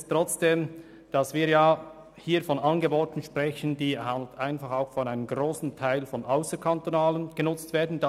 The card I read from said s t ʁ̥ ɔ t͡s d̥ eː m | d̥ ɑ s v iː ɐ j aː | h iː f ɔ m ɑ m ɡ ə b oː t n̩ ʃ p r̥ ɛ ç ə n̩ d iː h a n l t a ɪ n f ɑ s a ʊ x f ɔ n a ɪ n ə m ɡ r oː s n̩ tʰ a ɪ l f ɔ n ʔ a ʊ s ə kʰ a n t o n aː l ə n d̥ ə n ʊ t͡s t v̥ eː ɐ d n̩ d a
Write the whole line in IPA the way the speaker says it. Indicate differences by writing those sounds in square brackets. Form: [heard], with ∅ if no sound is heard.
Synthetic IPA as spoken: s t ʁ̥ ɔ t͡s d̥ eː m | d̥ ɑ s v iː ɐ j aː | h iː f ɔ [n] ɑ [n] ɡ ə b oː t n̩ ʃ p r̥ ɛ ç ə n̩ d iː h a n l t a ɪ n f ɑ [χ] a ʊ x f ɔ n a ɪ n ə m ɡ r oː s n̩ tʰ a ɪ l f ɔ n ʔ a ʊ s ə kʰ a n t o n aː l ə n [ɡ̥] ə n ʊ t͡s t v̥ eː ɐ d n̩ d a